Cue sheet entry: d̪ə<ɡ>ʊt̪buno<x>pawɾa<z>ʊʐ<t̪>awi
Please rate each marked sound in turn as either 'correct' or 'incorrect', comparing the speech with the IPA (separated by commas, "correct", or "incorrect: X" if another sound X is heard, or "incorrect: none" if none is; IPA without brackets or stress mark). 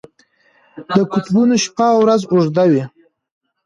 incorrect: k, incorrect: ʃ, correct, incorrect: d̪